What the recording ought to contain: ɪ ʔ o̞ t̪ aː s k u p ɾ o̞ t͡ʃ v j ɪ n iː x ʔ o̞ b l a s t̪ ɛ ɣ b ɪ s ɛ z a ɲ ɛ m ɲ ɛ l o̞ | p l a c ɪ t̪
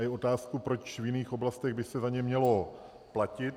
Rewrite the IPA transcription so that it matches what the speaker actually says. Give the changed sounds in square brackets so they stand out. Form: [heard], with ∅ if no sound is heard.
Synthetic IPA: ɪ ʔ o̞ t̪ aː s k u p ɾ o̞ t͡ʃ v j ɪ n iː x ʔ o̞ b l a s t̪ ɛ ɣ b ɪ s ɛ z a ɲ ɛ m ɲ ɛ l o̞ | p l a c ɪ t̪